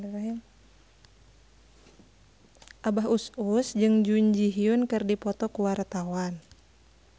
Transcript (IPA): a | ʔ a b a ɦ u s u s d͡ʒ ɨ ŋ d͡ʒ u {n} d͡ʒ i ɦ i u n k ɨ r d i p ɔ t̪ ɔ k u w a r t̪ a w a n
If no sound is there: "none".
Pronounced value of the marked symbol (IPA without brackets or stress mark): ɲ